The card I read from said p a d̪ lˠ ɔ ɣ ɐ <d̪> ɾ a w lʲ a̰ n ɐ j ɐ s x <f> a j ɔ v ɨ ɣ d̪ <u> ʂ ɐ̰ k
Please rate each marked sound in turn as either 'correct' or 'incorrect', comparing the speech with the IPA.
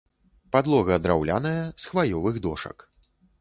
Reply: correct, incorrect: v, incorrect: ɔ

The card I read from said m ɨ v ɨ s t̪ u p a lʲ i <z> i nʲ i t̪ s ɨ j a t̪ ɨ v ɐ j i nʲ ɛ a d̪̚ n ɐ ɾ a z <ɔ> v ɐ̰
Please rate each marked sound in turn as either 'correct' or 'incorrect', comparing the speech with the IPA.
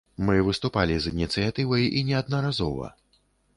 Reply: correct, correct

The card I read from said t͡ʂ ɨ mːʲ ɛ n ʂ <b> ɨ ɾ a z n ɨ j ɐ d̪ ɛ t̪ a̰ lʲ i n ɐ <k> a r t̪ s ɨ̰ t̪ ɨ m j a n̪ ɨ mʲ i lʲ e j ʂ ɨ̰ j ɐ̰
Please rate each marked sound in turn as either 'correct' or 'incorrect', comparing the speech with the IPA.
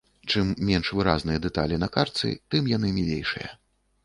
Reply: incorrect: v, correct

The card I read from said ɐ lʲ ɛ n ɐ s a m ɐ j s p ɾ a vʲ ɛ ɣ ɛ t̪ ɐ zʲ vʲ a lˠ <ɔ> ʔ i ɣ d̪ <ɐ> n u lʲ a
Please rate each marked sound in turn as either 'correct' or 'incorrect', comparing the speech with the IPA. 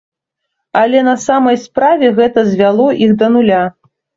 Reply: correct, correct

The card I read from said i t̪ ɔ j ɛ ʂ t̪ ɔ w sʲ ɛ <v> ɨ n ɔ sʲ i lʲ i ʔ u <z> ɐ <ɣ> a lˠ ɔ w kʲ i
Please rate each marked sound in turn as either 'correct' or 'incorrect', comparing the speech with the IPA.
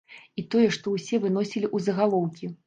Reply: correct, correct, correct

